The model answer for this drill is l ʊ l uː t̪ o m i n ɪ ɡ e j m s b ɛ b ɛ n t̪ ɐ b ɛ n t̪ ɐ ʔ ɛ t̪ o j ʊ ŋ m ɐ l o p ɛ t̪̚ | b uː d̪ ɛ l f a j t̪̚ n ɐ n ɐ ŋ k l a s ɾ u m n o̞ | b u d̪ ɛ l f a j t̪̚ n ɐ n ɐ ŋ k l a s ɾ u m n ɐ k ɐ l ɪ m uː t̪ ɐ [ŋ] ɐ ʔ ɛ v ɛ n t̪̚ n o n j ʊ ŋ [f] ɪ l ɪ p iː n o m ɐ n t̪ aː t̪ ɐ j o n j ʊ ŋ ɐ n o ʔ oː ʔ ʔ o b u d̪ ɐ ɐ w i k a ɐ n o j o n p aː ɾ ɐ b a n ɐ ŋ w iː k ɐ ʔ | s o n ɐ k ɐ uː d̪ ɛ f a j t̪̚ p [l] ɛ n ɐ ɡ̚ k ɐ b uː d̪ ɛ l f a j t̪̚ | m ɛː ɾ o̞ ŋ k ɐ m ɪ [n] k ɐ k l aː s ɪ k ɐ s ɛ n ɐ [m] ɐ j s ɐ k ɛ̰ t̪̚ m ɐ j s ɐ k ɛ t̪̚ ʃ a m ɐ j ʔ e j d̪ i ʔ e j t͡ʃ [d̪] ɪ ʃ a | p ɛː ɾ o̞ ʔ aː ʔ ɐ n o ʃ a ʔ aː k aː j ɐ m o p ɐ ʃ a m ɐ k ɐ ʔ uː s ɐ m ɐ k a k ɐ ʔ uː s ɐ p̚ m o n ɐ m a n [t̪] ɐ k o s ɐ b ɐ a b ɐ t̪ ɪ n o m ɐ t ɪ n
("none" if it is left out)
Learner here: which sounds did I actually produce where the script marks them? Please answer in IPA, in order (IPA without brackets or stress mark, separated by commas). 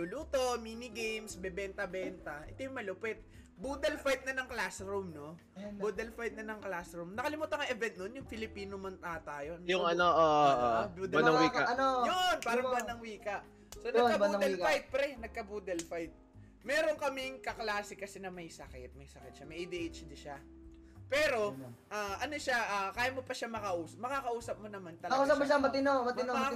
ŋ, f, ɾ, ŋ, m, d̪, t̪